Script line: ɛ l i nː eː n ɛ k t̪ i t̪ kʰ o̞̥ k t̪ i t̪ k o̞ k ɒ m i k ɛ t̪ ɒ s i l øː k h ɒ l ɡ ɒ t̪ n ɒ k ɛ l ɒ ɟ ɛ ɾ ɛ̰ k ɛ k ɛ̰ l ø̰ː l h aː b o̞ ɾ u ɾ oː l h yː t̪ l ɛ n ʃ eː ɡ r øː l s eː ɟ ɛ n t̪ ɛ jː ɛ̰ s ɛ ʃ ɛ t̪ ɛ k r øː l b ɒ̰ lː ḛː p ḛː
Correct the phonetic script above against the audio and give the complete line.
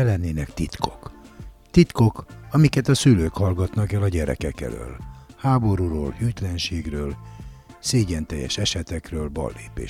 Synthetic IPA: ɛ l ɛ nː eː n ɛ k t̪ i t̪ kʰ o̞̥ k t̪ i t̪ k o̞ k ɒ m i k ɛ t̪ ɒ s y l øː k h ɒ l ɡ ɒ t̪ n ɒ k ɛ l ɒ ɟ ɛ ɾ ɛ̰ k ɛ k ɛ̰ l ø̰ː l h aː b o̞ ɾ u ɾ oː l h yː t̪ l ɛ n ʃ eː ɡ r øː l s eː ɟ ɛ n t̪ ɛ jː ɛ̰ ʃ ɛ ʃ ɛ t̪ ɛ k r øː l b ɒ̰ lː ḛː p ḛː